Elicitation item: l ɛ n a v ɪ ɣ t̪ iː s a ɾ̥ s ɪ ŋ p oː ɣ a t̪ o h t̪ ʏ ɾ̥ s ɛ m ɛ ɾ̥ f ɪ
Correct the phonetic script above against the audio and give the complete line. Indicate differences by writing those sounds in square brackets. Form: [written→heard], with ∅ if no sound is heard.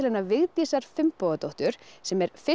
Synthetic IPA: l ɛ n a v ɪ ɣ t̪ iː s a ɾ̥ [s→f] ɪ [ŋ→m] p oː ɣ a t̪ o h t̪ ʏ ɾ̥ s ɛ m ɛ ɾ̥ f ɪ